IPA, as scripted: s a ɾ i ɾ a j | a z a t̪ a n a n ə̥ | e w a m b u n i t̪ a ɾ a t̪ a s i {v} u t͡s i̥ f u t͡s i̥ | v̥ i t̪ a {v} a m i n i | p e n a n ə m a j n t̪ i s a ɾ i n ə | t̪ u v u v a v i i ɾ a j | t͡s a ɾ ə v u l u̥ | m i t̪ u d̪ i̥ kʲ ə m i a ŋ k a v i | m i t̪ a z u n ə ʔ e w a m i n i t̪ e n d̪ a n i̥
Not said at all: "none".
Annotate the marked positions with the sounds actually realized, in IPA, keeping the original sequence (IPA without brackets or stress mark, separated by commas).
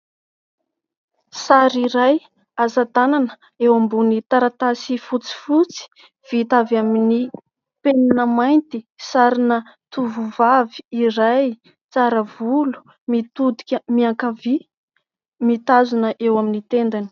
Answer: f, v